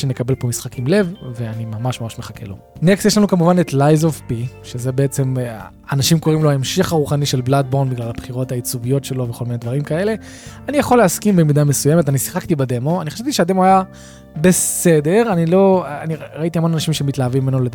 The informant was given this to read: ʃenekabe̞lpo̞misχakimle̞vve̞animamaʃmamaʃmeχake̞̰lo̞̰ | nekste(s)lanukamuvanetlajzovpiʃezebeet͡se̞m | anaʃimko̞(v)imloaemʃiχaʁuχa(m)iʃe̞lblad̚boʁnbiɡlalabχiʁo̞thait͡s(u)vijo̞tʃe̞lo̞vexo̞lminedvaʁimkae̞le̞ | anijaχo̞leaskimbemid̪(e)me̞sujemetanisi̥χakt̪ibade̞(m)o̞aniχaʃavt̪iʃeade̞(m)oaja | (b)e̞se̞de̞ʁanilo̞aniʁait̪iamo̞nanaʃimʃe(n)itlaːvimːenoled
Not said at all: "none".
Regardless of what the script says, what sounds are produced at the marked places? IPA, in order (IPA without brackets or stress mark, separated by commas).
ʃ, ʁ, n, u, a, m, m, b, m